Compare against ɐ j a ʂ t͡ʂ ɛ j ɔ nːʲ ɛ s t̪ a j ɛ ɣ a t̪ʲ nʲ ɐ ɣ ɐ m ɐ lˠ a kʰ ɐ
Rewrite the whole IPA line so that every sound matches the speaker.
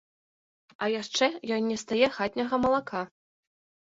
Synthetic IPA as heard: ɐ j a ʂ t͡ʂ ɛ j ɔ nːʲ ɛ s t̪ a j ɛ x a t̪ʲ nʲ ɐ ɣ ɐ m ɐ lˠ a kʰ a